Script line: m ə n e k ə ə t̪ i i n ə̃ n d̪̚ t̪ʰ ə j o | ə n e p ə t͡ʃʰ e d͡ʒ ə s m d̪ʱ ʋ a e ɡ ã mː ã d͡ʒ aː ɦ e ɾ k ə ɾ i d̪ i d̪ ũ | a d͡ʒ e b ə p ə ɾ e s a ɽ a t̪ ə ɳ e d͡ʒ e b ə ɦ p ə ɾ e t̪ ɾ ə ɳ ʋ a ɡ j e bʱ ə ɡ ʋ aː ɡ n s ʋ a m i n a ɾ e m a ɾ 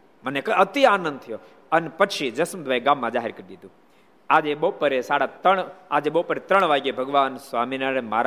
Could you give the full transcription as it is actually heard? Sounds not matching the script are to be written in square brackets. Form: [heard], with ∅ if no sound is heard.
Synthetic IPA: m ə n e k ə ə t̪ i [a] n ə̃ n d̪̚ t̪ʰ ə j o | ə n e p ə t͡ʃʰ [i] d͡ʒ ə s m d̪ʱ ʋ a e ɡ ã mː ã d͡ʒ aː ɦ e ɾ k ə ɾ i d̪ i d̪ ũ | a d͡ʒ e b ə p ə ɾ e s a ɽ a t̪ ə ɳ [a] d͡ʒ e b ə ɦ p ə ɾ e t̪ ɾ ə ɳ ʋ a ɡ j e bʱ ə ɡ ʋ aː [∅] n s ʋ a m i n a ɾ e m a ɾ